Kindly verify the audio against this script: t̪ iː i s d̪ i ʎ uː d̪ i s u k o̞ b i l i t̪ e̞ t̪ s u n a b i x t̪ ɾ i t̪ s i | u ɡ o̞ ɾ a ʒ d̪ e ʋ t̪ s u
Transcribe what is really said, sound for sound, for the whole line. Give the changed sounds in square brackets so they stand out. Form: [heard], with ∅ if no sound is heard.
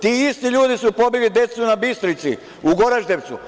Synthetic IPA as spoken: t̪ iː i s [t̪] i ʎ uː d̪ i s u [p] o̞ b i l i [d̪] e̞ t̪ s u n a b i [s] t̪ ɾ i t̪ s i | u ɡ o̞ ɾ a ʒ d̪ e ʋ t̪ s u